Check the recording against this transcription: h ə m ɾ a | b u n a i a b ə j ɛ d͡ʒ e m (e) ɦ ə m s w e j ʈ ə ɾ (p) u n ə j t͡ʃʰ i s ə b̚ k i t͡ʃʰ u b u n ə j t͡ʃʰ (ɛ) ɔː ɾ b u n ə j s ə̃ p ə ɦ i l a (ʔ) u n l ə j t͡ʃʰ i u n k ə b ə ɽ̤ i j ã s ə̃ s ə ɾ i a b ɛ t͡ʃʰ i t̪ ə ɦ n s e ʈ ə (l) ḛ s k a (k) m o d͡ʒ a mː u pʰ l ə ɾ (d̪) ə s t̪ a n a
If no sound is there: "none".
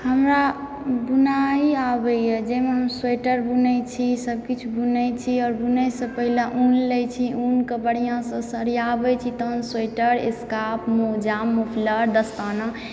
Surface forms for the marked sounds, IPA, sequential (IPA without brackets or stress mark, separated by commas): e, b, i, ʔ, ɾ, p, d̪